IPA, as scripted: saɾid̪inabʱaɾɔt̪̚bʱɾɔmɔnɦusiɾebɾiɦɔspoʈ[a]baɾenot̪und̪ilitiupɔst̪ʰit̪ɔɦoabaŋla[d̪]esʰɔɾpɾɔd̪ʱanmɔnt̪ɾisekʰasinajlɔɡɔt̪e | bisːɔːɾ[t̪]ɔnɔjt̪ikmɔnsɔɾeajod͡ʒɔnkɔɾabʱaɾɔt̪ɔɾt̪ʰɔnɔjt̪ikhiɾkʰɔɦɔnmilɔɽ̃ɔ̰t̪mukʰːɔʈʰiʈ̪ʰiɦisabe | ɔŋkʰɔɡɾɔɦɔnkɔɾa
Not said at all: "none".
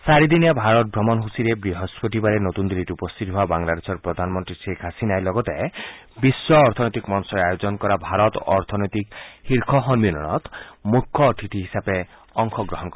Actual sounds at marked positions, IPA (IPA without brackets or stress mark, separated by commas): i, d̪, t̪ʰ